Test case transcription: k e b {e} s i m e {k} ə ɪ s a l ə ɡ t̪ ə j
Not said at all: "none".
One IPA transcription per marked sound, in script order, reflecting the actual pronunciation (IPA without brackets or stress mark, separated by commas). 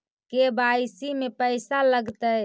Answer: a, p